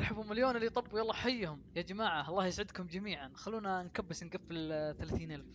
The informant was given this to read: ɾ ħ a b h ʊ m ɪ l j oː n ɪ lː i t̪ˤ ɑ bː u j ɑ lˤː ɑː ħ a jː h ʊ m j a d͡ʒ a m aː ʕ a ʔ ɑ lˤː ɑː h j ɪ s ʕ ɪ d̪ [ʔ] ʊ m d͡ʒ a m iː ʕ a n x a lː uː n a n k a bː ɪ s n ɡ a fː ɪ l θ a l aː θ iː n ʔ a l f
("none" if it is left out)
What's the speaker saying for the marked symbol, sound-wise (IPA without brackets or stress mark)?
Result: k